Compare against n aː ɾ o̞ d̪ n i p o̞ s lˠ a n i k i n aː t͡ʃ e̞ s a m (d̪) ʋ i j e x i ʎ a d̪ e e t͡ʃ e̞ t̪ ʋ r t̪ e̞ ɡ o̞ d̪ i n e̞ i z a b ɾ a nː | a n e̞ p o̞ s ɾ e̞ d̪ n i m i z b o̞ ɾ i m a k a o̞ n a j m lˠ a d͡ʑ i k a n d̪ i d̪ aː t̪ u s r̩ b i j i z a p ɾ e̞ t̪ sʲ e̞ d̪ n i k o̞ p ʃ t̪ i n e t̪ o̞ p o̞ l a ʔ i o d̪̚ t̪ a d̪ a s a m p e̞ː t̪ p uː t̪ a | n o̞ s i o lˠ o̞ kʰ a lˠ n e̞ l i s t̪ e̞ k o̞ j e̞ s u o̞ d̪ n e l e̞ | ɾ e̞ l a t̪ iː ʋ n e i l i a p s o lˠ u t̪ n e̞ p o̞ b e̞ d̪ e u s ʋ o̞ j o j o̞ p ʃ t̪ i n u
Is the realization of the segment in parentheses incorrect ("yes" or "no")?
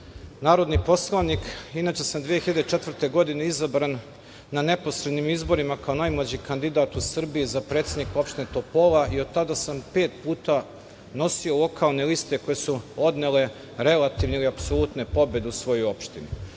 no